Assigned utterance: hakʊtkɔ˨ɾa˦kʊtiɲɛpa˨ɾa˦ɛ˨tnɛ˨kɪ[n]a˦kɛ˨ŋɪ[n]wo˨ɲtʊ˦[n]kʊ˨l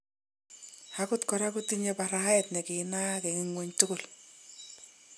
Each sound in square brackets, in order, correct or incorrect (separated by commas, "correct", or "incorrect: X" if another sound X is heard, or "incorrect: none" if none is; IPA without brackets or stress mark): correct, incorrect: ŋ, incorrect: none